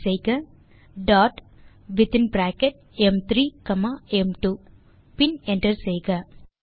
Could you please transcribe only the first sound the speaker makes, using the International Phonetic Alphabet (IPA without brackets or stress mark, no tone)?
s